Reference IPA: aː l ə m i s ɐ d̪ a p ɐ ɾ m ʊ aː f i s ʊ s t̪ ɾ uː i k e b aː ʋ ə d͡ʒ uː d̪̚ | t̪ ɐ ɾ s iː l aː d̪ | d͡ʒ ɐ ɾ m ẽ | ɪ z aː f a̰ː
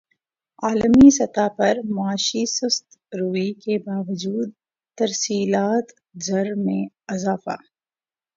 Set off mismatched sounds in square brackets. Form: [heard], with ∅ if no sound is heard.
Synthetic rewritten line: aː l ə m i s ɐ [t̪] a p ɐ ɾ m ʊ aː [ʃ] i s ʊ s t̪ ɾ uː i k e b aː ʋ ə d͡ʒ uː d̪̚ | t̪ ɐ ɾ s iː l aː [t̪] | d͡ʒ ɐ ɾ m ẽ | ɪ z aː f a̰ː